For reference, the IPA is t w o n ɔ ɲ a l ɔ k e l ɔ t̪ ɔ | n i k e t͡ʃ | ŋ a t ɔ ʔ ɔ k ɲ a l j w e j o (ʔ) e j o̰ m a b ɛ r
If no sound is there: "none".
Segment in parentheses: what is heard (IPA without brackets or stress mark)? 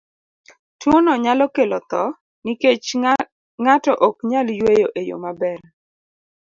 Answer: ʔ